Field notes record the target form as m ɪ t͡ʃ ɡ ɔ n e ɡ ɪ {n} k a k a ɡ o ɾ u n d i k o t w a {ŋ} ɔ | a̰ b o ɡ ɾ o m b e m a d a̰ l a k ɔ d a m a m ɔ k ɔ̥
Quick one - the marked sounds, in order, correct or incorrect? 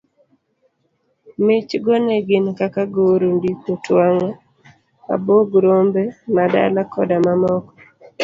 correct, correct

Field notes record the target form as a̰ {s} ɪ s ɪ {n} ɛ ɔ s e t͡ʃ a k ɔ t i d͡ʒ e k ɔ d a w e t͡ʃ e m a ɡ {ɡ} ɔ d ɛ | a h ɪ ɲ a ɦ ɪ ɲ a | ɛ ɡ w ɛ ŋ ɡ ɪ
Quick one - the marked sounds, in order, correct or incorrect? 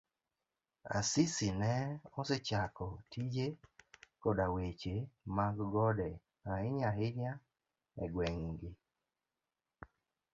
correct, correct, correct

